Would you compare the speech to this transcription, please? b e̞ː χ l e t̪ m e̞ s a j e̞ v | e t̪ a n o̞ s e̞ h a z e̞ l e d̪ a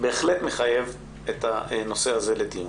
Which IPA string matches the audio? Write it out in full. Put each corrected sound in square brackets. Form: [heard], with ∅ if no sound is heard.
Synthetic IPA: b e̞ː χ l e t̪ m e̞ [χ] a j e̞ v | e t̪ a n o̞ s e̞ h a z e̞ l e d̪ [i]